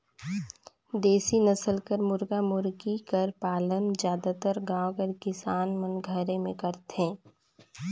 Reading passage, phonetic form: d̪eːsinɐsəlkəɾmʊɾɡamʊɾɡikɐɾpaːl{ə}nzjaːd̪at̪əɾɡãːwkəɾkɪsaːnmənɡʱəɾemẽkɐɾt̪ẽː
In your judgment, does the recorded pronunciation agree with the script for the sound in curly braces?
yes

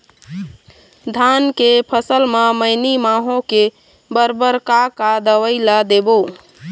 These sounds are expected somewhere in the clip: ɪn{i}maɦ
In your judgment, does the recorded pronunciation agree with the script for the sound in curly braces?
yes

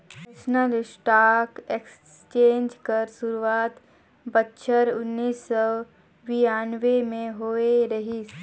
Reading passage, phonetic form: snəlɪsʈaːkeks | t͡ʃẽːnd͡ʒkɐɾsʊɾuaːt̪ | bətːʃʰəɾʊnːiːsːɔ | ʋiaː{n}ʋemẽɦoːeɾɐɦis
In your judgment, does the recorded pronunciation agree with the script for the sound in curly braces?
yes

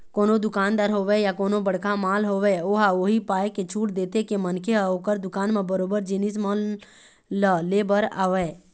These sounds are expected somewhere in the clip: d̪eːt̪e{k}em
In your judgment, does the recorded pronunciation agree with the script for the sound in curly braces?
yes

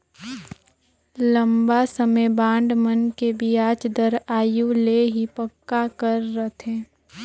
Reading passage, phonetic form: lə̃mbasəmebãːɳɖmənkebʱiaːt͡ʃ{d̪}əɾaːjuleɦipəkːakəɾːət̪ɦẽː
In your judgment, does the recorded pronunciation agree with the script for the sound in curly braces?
yes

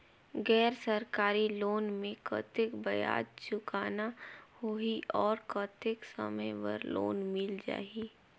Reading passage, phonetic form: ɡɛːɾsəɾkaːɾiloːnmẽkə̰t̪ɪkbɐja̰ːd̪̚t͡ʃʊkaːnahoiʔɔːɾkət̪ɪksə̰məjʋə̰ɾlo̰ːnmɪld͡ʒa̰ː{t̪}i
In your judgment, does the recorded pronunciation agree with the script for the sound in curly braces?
no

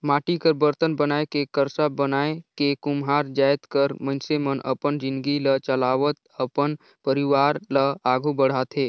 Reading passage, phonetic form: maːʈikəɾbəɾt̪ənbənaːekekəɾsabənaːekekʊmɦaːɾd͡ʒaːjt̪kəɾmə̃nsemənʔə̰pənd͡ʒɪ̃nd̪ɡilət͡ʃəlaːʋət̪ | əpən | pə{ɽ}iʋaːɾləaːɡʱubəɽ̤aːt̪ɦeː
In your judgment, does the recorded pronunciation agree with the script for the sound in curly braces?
no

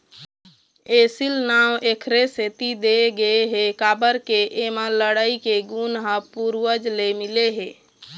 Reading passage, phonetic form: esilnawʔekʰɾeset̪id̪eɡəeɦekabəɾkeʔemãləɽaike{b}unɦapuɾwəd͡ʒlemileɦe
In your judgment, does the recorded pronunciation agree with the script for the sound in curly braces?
no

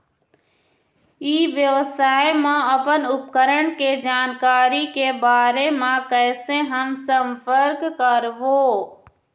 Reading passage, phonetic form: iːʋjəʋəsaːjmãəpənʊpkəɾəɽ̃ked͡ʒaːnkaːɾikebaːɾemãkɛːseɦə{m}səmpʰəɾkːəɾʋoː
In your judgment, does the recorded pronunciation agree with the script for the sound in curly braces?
yes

